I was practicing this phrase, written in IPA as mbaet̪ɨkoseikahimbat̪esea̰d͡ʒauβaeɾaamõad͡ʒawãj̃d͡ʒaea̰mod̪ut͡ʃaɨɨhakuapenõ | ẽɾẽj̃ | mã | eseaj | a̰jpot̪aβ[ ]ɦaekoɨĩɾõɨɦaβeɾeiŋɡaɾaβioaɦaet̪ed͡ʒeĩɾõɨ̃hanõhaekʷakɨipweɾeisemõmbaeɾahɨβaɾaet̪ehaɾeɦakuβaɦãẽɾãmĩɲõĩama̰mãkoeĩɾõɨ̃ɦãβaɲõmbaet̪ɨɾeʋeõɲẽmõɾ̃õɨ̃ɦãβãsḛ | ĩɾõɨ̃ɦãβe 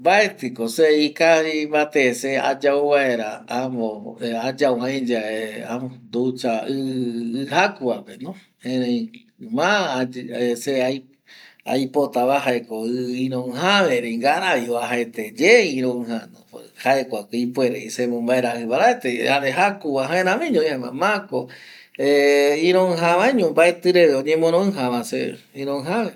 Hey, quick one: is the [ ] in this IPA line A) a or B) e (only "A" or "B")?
A